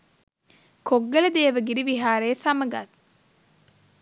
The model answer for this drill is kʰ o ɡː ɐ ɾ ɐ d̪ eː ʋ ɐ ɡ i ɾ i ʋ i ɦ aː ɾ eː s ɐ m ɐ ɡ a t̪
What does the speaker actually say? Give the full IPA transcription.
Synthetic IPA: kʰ o ɡː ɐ l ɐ d̪ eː ʋ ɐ ɡ i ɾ i ʋ i ɦ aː ɾ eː s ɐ m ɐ ɡ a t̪